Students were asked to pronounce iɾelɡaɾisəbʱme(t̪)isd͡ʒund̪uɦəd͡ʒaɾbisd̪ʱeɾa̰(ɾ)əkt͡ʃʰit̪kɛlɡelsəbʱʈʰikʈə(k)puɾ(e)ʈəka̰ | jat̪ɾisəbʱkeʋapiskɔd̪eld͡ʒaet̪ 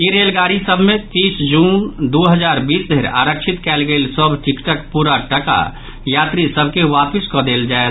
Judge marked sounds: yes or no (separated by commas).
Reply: yes, yes, yes, no